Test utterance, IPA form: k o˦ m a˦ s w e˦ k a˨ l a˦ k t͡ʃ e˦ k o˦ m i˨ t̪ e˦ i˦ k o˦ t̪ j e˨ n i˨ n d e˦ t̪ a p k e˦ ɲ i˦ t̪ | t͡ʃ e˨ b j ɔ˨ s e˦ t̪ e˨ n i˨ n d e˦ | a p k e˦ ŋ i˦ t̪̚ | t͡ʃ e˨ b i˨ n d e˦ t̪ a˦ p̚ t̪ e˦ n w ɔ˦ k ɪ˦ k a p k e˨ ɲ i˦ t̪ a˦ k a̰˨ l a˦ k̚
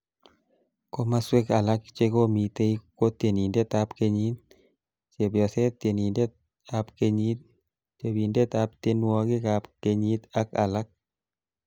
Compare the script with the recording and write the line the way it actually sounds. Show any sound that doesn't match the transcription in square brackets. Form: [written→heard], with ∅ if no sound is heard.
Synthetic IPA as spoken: k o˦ m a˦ s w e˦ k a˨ l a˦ k t͡ʃ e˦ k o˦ m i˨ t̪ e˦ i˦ k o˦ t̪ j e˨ n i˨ n d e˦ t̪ a p k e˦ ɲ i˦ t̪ | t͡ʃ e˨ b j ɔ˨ s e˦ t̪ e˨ n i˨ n d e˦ | a p k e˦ [ŋ→ɲ] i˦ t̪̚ | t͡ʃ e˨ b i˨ n d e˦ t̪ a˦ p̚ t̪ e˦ n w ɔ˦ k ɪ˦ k a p k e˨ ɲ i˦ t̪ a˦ k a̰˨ l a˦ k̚